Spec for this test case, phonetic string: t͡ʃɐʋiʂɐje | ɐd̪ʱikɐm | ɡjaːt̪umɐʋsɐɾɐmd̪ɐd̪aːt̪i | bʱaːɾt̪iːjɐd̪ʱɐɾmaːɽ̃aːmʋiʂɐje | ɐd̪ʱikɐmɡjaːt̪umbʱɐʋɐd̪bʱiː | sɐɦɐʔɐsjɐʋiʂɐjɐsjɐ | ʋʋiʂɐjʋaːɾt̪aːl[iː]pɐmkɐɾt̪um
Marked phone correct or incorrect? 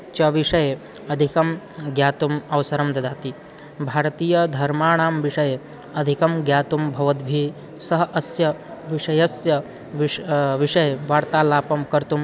incorrect